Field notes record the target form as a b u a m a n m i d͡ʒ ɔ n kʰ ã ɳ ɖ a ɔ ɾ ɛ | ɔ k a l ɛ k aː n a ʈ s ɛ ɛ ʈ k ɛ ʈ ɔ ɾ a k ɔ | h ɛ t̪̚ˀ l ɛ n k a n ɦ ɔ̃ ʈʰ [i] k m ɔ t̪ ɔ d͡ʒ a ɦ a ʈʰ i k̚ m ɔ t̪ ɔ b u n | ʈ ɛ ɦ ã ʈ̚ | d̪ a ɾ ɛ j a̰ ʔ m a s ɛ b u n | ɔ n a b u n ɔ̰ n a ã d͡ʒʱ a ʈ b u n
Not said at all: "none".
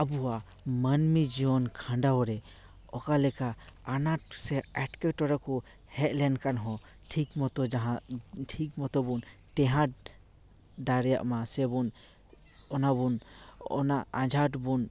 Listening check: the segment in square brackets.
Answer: i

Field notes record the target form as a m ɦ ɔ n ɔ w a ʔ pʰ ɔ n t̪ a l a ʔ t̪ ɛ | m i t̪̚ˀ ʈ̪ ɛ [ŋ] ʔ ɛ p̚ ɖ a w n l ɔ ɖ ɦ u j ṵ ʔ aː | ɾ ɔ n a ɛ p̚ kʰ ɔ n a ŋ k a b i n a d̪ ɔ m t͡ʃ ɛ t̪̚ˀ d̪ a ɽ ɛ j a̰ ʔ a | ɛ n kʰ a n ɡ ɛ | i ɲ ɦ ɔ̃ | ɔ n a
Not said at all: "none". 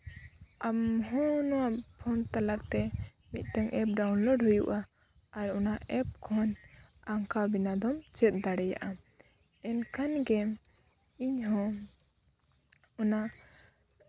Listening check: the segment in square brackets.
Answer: ŋ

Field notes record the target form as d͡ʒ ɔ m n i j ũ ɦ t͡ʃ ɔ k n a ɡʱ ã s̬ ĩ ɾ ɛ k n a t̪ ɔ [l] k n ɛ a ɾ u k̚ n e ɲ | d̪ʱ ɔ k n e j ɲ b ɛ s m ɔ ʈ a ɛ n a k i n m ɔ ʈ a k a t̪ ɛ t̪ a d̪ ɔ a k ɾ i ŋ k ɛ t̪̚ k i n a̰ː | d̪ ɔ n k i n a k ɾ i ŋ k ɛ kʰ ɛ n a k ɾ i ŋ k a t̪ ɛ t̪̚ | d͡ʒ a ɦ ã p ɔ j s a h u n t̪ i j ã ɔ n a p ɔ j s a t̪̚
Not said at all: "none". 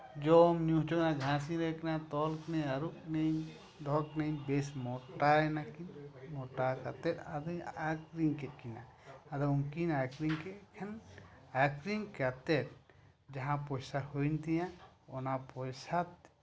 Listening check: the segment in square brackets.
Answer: l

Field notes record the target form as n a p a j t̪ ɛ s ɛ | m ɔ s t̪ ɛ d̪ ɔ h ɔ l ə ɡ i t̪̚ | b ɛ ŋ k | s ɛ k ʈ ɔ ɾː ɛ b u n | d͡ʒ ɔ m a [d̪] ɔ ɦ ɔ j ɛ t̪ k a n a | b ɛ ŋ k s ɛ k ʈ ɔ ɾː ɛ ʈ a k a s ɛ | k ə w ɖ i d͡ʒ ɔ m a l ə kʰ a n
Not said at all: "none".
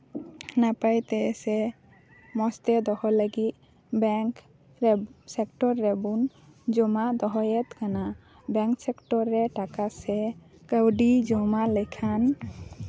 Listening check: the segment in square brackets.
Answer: d̪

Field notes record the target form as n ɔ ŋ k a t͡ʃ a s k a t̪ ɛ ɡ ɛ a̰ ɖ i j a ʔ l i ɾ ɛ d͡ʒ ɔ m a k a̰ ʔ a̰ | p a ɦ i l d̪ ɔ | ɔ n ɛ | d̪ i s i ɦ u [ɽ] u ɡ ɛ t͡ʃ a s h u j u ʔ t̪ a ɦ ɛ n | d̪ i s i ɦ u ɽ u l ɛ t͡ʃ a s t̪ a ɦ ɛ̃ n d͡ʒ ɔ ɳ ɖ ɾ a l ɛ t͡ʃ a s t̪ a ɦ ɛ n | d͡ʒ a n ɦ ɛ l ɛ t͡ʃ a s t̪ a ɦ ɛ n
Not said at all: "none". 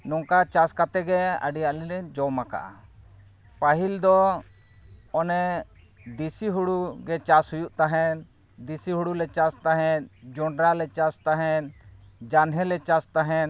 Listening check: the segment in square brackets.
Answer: ɽ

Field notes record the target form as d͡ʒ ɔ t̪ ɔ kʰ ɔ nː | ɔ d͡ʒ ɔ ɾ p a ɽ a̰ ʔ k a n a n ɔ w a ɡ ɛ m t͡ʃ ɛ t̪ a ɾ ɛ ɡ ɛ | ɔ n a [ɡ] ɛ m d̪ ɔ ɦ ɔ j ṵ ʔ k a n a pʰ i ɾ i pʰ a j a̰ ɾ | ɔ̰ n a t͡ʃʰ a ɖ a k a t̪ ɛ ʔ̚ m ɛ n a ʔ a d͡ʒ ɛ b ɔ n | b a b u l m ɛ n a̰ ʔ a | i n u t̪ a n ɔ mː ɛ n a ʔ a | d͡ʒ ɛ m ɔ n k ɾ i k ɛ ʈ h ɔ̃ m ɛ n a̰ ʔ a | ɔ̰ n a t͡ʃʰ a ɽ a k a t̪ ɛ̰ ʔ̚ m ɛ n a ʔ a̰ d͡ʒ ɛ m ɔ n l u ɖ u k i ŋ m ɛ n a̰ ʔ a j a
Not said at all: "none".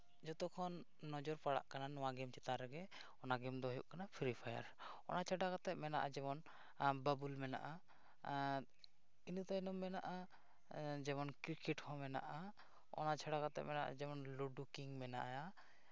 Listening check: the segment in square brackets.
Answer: ɡ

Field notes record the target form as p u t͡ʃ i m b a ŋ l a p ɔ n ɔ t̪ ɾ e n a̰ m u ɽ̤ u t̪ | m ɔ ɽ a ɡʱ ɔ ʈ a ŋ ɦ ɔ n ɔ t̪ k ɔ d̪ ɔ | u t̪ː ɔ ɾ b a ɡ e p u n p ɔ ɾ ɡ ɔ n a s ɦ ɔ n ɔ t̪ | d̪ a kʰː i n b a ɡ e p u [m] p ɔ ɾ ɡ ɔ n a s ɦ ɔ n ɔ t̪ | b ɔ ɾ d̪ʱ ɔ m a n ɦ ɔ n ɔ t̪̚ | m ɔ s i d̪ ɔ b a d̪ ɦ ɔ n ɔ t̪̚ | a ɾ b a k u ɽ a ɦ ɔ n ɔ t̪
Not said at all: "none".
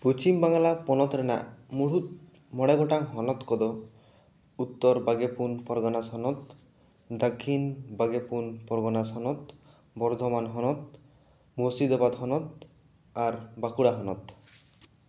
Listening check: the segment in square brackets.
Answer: n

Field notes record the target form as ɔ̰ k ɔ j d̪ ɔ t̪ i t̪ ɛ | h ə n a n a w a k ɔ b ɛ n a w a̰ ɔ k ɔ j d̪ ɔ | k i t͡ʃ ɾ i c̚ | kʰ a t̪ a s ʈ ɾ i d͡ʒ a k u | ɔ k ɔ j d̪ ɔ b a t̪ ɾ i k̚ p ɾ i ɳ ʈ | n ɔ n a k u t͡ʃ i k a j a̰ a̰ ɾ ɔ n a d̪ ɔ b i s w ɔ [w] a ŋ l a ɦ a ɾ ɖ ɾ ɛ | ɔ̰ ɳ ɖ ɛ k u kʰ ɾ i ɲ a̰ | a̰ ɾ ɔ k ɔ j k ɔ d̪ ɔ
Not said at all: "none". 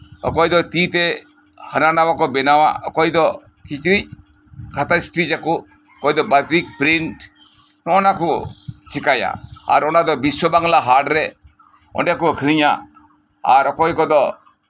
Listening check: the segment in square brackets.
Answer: b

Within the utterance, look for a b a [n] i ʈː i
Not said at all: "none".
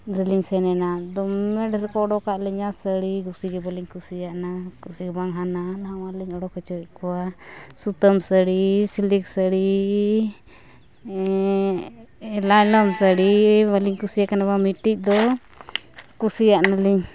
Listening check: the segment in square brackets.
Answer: m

